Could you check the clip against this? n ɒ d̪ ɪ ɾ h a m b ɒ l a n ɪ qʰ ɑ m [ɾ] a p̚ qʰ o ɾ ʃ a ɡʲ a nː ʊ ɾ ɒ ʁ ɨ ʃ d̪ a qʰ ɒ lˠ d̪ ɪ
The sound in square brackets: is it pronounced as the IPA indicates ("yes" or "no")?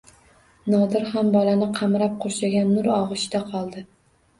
yes